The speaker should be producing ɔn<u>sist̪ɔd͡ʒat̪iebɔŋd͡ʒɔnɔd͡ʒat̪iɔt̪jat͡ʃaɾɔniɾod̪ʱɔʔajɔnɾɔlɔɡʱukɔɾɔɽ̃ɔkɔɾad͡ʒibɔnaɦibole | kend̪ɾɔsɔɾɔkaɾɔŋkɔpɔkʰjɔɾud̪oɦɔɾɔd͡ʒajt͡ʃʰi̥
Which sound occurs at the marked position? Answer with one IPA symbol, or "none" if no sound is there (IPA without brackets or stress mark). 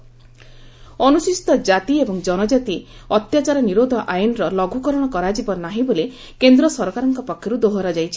u